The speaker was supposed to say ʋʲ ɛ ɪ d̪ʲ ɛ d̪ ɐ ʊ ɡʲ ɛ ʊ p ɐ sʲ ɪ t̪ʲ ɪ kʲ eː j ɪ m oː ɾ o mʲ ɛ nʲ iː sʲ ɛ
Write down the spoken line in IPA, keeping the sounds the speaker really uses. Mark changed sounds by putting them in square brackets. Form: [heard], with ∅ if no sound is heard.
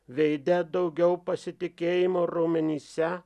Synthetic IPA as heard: ʋʲ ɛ ɪ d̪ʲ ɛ d̪ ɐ ʊ ɡʲ ɛ ʊ p ɐ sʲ ɪ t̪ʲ ɪ kʲ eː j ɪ m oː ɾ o mʲ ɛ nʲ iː sʲ ɛ